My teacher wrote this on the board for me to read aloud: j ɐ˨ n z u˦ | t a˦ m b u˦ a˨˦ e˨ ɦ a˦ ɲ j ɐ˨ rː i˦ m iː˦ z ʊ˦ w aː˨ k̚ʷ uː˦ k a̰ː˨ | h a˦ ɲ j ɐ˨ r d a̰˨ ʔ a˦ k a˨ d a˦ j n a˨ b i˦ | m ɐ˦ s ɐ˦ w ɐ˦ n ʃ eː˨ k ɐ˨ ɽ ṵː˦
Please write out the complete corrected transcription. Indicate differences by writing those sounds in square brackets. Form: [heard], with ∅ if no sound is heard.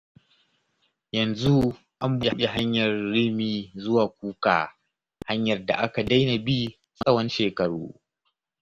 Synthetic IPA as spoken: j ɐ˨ n z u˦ | [ʔ] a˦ m b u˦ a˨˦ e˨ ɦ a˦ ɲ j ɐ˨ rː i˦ m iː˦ z ʊ˦ w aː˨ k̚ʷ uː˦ k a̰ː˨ | h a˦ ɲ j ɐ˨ r d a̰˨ ʔ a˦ k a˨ d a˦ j n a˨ b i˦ | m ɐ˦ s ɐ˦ w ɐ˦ n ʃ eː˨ k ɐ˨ ɽ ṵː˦